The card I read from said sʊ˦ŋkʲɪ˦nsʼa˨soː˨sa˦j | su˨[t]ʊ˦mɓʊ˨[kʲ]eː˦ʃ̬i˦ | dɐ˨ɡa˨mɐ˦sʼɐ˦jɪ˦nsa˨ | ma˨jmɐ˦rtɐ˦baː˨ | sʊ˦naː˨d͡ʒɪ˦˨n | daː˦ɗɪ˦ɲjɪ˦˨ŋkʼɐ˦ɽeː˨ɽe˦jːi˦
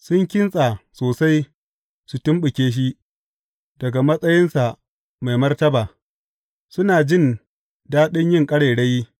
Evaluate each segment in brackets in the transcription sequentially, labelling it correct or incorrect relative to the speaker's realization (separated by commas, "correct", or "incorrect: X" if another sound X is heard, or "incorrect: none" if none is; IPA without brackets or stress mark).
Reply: correct, correct